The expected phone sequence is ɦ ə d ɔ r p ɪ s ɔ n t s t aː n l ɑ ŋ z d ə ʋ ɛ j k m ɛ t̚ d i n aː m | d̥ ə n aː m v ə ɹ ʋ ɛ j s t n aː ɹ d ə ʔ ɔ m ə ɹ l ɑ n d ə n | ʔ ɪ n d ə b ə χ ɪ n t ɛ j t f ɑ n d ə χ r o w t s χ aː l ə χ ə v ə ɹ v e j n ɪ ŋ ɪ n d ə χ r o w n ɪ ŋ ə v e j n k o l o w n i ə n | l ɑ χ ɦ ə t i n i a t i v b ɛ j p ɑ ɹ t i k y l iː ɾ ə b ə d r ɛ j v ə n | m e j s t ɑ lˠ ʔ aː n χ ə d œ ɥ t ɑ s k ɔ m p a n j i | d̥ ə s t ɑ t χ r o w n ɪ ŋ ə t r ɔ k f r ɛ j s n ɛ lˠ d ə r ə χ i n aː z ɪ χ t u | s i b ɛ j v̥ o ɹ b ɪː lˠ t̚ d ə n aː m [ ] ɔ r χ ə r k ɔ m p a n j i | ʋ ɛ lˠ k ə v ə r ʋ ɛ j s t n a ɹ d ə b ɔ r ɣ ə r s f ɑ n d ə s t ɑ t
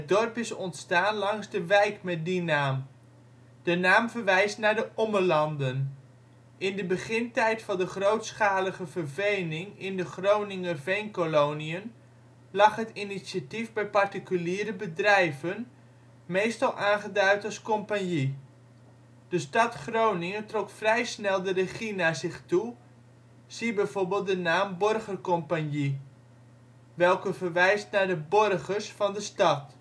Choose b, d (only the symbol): b